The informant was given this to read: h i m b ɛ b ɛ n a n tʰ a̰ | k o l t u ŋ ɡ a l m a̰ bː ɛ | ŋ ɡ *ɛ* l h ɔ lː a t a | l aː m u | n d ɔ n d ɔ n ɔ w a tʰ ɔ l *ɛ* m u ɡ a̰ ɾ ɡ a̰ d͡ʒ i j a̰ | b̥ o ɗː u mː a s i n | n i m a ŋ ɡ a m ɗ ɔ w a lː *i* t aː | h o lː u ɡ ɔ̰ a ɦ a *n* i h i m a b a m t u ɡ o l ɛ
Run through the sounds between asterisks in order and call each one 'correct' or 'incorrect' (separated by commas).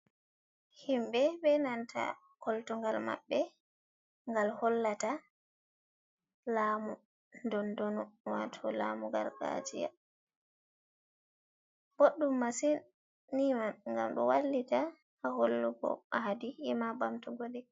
incorrect, incorrect, correct, incorrect